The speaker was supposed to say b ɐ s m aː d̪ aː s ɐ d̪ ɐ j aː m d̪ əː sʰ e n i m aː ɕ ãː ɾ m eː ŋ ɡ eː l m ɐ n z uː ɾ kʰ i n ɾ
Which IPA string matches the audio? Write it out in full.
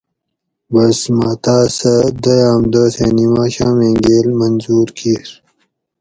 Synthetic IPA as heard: b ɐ s m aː t̪ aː s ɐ d̪ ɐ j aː m d̪ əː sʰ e n i m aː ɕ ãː m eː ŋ ɡ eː l m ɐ n z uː ɾ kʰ i ɾ